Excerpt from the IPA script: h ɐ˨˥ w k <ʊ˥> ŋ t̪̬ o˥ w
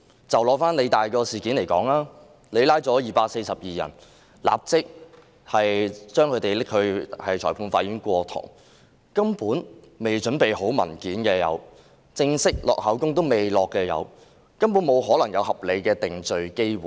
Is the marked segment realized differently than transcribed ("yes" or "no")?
no